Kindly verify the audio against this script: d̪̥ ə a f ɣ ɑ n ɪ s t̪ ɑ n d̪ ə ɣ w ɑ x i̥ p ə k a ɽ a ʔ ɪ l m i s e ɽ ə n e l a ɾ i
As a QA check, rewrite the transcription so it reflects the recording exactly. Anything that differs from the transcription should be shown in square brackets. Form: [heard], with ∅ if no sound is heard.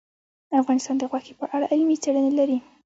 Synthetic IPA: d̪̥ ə a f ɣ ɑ n ɪ s t̪ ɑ n d̪ ə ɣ w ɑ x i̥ p ə [ʔ] a ɽ a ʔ ɪ l m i [t͡s] e ɽ ə n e l a ɾ i